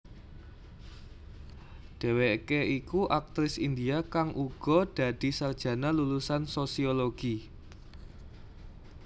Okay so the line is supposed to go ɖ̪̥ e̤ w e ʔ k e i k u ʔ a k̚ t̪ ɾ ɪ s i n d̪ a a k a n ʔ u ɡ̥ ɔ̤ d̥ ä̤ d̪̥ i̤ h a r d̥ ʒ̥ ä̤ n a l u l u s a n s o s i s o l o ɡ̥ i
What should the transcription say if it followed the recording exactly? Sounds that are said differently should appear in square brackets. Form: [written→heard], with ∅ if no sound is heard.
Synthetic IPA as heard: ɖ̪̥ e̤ w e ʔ k e i k u ʔ a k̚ t̪ ɾ ɪ s i n d̪ [a→i] a k a [n→ŋ] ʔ u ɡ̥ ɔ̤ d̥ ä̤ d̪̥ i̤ [h→s] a r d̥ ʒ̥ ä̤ n a l u l u s a n s o s i [s→∅] o l o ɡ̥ i